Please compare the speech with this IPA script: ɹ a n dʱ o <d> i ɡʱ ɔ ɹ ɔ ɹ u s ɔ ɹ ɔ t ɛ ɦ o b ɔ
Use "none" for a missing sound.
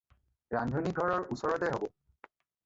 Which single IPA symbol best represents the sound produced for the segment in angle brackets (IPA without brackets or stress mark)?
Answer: n